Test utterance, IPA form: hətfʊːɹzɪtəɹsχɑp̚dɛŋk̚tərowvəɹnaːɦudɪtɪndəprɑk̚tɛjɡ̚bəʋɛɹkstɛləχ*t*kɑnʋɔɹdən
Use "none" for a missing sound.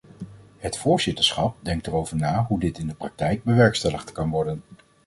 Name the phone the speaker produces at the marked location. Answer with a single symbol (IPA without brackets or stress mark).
t